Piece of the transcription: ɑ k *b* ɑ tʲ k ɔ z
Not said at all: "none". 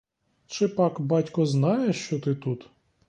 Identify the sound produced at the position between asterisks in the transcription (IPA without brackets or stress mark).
b